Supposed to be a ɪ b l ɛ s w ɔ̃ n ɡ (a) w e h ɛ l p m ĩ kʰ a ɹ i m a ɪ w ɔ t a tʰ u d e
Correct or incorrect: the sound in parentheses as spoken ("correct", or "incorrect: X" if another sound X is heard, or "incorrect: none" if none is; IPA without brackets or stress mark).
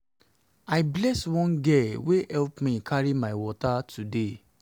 incorrect: ɛ